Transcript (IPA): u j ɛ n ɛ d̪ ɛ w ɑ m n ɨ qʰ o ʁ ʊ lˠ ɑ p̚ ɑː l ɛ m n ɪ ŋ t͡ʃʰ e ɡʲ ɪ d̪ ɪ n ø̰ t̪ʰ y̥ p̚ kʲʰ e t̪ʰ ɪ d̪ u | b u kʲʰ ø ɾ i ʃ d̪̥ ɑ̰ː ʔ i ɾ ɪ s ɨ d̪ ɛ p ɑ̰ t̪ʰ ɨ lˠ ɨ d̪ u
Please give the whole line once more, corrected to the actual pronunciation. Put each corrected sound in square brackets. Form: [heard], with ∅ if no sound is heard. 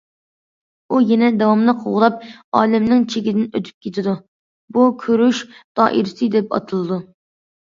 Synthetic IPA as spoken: u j ɛ n ɛ d̪ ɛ w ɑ m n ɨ qʰ o ʁ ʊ lˠ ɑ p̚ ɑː l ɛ m n ɪ ŋ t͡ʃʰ e ɡʲ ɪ d̪ ɪ n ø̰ t̪ʰ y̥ p̚ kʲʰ e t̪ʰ ɪ d̪ u | b u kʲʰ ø ɾ [y] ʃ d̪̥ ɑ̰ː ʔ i ɾ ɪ s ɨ d̪ ɛ p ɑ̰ t̪ʰ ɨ lˠ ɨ d̪ u